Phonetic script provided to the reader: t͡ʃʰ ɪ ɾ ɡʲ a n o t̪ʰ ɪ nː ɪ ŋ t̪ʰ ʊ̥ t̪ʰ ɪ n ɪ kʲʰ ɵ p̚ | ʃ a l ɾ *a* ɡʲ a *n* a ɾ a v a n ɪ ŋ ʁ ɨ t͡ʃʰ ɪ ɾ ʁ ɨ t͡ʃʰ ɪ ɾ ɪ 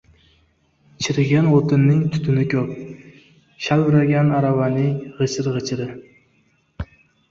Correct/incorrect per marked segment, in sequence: correct, correct

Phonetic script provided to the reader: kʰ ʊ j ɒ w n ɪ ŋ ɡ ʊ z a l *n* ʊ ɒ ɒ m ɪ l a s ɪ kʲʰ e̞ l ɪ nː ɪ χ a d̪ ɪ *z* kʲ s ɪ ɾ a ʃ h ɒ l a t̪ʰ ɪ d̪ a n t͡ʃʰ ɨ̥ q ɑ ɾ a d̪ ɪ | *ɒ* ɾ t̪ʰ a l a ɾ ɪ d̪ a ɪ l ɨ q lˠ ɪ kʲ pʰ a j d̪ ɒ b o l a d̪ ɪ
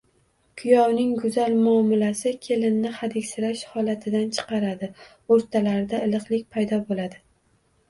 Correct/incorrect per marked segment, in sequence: incorrect: m, incorrect: none, incorrect: o

